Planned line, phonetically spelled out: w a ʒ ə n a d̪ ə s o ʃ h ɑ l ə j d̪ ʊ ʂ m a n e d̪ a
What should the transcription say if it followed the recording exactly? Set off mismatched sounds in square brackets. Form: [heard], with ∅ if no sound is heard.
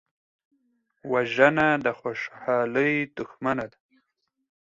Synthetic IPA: w a ʒ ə n a d̪ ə [x] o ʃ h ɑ l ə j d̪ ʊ [x] m a n [a] d̪ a